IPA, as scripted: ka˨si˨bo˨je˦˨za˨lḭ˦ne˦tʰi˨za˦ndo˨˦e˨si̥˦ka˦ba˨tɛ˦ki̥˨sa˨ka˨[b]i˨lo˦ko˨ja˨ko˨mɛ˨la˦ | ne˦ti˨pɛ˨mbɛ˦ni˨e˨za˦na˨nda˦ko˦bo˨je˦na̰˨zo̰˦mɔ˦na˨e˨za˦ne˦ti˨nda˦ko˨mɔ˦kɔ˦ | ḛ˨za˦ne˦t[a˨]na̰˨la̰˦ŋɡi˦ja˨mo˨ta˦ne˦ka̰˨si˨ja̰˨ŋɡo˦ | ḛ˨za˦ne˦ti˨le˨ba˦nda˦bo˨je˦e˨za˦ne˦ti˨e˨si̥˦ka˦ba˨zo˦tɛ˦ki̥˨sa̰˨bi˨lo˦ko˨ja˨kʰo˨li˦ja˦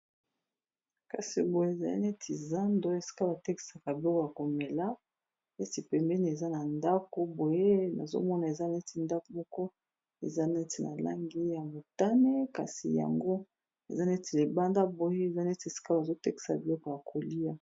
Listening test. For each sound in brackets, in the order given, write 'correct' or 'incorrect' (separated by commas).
correct, incorrect